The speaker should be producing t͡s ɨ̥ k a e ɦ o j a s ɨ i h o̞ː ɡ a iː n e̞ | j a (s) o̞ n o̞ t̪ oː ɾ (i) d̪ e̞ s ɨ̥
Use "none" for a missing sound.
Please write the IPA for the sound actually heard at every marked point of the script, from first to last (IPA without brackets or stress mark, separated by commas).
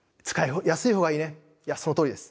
s, i